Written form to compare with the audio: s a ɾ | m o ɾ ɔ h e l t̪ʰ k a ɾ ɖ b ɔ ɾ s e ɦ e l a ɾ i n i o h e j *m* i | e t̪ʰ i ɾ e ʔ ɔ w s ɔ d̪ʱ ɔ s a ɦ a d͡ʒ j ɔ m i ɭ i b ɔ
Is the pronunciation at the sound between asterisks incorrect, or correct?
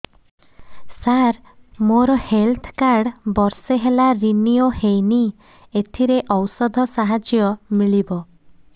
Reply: incorrect